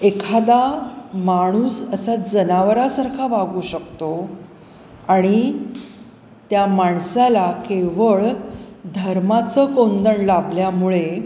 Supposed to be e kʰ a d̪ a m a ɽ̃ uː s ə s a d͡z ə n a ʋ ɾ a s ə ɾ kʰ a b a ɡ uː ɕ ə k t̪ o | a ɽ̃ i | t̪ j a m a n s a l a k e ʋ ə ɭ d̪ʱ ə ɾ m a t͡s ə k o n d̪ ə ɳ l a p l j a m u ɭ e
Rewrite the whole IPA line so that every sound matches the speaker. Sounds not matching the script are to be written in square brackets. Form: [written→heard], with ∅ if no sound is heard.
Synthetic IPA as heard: e kʰ a d̪ a m a ɽ̃ uː s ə s a d͡z ə n a ʋ ɾ a s ə ɾ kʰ a b a ɡ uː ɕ ə k t̪ o | a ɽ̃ i | t̪ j a m a [n→ɳ] s a l a k e ʋ ə ɭ d̪ʱ ə ɾ m a t͡s ə k o n d̪ ə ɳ l a [p→b] l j a m u ɭ e